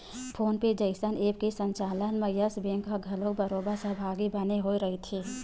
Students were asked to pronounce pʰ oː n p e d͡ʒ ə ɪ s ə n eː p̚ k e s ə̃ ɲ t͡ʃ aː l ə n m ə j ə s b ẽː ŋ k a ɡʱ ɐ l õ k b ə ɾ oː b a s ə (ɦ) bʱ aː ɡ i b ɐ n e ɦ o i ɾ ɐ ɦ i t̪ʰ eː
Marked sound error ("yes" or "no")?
no